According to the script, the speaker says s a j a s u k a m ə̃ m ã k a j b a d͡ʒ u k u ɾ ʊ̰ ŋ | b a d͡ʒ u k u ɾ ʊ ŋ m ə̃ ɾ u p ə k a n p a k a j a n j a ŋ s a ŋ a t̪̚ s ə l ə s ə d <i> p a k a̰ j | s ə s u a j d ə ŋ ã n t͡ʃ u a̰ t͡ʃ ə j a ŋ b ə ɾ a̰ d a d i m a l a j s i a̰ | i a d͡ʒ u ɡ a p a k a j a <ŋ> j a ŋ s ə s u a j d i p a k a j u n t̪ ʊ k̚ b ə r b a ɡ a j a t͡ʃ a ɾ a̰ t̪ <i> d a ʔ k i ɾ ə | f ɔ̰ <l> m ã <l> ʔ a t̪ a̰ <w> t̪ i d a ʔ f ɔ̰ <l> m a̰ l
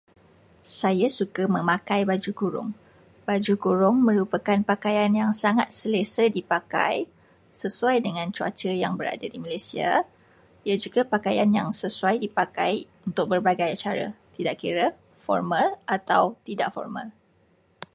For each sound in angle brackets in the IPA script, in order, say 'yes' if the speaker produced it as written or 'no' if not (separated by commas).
yes, no, yes, no, yes, yes, no